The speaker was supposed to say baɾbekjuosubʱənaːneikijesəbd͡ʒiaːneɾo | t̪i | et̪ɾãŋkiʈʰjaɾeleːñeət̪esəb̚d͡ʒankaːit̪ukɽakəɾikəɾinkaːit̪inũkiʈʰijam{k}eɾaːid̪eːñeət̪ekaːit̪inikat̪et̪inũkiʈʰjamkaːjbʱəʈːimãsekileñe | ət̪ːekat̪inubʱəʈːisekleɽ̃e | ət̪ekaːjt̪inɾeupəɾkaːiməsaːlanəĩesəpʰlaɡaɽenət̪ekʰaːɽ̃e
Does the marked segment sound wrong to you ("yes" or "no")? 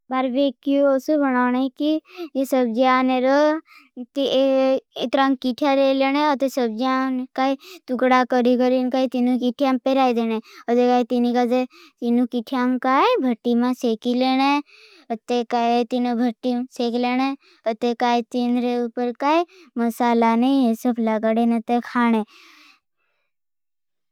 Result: yes